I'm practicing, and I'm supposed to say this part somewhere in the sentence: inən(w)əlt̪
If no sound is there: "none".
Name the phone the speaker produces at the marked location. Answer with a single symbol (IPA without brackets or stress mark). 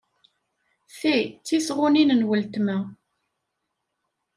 w